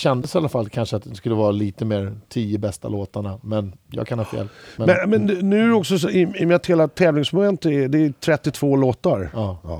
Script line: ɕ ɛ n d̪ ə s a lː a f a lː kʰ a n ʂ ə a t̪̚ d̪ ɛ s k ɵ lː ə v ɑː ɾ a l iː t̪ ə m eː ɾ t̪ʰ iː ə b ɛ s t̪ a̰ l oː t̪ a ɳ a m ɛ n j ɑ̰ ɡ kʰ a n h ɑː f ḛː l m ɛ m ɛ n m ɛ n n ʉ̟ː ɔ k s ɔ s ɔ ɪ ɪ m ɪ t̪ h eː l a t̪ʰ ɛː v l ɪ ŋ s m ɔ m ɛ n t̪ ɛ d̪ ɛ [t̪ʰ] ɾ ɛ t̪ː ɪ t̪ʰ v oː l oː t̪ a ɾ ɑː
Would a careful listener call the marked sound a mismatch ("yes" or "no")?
no